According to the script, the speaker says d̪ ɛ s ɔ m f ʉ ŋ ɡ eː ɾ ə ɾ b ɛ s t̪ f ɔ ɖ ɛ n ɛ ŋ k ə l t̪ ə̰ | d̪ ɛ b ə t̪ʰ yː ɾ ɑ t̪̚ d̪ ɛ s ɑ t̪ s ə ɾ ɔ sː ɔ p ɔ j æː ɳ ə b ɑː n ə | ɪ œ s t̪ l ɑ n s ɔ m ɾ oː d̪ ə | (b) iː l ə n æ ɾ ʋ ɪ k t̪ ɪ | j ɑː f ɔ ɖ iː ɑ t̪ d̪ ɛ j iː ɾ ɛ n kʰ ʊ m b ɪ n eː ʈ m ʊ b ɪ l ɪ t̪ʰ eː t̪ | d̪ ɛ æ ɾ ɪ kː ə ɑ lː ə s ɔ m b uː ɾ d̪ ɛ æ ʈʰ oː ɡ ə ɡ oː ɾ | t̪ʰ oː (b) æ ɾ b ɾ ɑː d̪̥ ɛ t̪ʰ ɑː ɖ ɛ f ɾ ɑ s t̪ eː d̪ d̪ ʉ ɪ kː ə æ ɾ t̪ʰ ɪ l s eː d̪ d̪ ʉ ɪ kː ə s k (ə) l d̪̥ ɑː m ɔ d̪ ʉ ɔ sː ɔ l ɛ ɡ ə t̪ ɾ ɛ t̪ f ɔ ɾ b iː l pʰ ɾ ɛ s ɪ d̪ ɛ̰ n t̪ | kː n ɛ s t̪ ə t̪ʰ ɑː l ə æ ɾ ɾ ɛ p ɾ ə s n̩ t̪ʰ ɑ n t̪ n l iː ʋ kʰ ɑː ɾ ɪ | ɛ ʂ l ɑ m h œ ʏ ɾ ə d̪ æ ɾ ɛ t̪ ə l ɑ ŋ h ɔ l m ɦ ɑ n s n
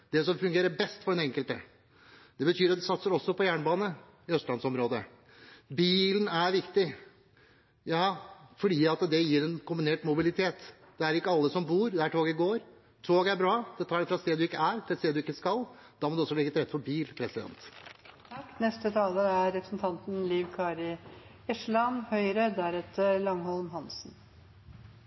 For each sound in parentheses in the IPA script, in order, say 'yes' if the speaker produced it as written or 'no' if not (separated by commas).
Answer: yes, no, no